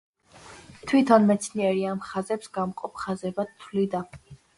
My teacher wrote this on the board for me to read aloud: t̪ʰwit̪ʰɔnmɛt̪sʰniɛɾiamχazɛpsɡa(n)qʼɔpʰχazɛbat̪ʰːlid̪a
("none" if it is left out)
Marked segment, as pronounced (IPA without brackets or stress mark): m